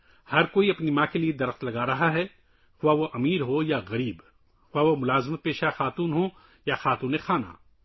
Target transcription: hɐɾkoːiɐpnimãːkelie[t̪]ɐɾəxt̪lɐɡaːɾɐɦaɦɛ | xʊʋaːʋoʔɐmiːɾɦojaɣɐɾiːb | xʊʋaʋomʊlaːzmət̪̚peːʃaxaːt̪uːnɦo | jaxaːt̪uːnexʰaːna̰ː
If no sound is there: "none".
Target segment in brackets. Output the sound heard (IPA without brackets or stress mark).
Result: d̪